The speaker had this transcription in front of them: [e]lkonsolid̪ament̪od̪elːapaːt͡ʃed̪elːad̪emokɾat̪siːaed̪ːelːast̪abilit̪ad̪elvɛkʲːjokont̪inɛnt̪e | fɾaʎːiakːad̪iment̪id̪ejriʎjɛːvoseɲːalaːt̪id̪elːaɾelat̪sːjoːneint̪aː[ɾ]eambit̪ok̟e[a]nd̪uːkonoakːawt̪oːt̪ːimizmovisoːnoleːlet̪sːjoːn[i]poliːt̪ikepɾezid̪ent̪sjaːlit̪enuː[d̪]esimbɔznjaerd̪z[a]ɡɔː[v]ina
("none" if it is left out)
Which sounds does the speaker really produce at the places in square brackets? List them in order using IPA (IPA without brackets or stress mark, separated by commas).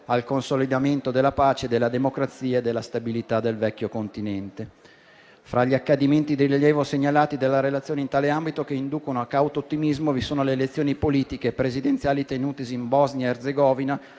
a, l, i, i, t̪, e, v